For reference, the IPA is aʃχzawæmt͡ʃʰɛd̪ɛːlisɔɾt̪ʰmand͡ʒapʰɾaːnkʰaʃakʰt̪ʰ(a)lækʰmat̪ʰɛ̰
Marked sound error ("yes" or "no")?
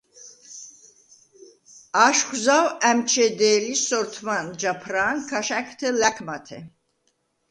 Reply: yes